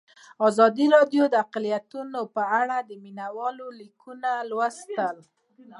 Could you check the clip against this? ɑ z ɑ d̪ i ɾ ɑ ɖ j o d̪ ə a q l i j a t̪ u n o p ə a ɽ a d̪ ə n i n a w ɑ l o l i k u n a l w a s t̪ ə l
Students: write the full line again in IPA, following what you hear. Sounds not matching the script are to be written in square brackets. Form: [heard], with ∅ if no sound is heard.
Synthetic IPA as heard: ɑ z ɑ d̪ i ɾ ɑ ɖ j o d̪ ə a q l i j a t̪ u n o p ə a ɽ a d̪ ə [m] i n a w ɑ l o l i k u n a l w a s t̪ ə l

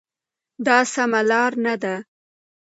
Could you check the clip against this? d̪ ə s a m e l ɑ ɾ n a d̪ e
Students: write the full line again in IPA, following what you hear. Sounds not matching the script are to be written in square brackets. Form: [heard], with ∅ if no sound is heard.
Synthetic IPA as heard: d̪ [ɑ] s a m [a] l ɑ ɾ n a d̪ [a]

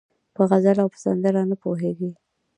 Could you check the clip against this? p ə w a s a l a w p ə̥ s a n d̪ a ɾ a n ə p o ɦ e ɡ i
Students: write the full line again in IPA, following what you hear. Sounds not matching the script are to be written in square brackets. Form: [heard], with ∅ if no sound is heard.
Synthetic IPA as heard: p ə [ɣ] a [z] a l a w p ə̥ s a n d̪ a ɾ a n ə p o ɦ e ɡ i

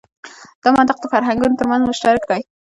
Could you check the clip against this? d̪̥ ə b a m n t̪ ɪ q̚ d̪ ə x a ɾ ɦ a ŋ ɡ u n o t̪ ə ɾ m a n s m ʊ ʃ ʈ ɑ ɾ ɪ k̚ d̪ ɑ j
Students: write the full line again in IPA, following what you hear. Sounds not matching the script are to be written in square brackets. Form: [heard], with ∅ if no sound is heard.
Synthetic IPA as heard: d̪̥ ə [m] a [∅] n t̪ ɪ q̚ d̪ ə [f] a ɾ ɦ a ŋ ɡ u n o t̪ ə ɾ m a n [z] m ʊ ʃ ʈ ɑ ɾ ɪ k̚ d̪ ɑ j

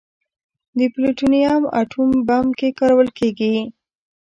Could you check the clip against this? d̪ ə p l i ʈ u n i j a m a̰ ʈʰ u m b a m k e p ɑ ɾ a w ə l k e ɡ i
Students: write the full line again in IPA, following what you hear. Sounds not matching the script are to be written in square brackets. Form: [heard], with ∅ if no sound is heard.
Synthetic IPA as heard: d̪ ə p l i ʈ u n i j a m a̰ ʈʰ u m b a m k e [k] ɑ ɾ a w ə l k e ɡ i

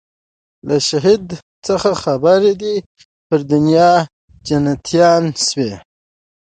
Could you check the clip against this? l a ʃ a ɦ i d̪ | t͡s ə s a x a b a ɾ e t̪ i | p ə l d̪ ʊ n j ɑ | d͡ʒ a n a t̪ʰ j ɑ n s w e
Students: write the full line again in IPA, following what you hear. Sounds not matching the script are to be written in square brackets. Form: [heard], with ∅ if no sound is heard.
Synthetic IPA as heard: l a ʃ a ɦ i d̪ | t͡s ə [x] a x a b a ɾ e [d̪] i | p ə [ɾ] d̪ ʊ n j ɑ | d͡ʒ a n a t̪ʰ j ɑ n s w e

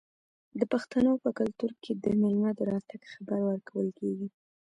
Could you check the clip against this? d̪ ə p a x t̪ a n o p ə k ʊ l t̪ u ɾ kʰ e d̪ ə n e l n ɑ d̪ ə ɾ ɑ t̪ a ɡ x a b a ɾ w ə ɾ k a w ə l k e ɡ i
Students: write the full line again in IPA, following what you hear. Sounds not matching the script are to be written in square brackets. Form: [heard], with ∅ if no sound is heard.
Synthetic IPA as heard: d̪ ə p a x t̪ a n o p ə k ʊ l t̪ u ɾ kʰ e d̪ ə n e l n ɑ d̪ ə ɾ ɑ t̪ a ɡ x a b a ɾ w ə ɾ k a w ə l k e ɡ i

